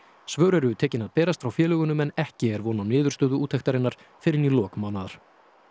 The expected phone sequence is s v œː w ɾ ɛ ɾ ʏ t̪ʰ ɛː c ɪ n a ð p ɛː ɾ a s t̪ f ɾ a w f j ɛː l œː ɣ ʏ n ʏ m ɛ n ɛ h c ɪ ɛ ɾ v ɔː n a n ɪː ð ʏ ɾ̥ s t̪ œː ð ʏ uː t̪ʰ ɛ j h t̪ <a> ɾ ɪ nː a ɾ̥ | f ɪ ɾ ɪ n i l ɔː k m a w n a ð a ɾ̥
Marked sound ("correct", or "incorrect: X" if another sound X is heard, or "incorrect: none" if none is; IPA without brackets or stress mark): correct